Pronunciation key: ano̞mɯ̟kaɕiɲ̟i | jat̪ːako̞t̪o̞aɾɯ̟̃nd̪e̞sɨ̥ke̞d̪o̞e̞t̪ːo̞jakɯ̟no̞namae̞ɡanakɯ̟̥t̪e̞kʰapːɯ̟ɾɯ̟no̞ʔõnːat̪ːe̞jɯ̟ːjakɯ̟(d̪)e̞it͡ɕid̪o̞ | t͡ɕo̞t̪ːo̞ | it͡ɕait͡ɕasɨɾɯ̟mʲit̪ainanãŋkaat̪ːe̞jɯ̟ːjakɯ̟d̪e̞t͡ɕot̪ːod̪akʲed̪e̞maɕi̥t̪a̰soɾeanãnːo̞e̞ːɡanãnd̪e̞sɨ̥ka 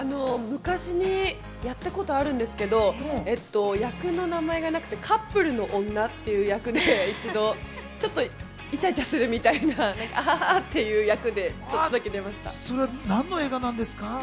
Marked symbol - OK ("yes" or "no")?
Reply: yes